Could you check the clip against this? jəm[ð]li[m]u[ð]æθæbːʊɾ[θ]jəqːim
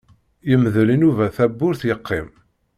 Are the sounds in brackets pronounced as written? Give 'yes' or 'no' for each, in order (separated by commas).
yes, no, no, yes